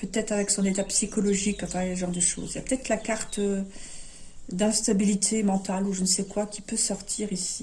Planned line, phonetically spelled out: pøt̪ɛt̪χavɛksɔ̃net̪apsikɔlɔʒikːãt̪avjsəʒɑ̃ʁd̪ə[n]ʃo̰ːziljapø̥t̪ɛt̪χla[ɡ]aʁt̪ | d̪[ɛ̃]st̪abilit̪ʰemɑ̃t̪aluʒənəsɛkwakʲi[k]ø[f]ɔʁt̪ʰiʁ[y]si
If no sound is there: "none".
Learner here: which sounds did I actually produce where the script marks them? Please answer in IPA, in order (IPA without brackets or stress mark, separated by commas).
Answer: none, k, ɛ̃, p, s, i